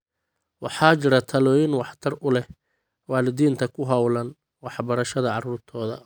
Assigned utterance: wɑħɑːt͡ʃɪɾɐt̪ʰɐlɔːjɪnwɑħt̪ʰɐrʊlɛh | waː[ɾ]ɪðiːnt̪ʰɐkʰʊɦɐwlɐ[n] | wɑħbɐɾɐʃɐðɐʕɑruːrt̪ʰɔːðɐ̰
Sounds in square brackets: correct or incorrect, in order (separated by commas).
incorrect, correct